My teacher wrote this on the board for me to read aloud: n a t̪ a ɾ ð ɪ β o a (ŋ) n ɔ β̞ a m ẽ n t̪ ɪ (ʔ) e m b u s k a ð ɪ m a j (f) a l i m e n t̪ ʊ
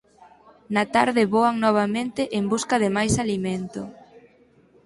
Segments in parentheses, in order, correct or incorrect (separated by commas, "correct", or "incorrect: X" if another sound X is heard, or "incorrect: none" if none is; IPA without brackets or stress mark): correct, correct, incorrect: s